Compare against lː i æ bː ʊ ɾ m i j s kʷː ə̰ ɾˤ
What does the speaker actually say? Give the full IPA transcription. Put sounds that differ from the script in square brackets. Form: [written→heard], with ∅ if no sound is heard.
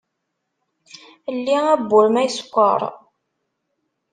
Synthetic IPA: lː i æ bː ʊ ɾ m [i→æ] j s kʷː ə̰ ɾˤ